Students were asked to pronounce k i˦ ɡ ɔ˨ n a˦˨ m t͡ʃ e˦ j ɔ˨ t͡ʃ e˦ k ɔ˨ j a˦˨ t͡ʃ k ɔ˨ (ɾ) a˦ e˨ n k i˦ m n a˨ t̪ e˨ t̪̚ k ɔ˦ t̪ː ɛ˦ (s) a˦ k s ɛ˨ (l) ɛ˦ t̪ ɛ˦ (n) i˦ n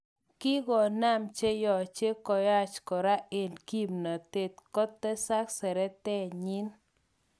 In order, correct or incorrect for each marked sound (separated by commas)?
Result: correct, correct, incorrect, incorrect